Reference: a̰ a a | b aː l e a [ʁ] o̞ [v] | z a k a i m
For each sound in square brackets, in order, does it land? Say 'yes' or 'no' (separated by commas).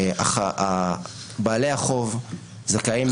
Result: no, yes